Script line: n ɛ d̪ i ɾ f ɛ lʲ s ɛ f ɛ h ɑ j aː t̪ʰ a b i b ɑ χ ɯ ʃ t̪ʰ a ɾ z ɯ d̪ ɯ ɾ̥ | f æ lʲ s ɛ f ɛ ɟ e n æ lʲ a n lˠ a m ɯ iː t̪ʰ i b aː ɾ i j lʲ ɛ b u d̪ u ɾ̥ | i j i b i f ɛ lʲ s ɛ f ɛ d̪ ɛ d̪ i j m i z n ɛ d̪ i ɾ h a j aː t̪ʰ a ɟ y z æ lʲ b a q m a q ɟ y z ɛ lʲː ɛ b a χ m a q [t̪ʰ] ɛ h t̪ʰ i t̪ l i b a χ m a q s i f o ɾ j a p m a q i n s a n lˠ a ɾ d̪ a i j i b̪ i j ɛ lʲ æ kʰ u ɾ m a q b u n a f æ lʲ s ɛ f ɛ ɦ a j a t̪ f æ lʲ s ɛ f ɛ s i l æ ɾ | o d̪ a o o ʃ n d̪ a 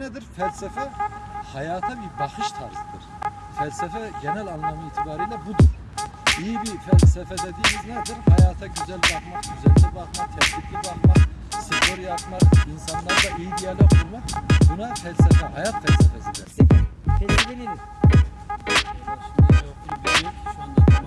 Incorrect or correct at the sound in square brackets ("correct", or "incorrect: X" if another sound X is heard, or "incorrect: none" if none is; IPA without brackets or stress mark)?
correct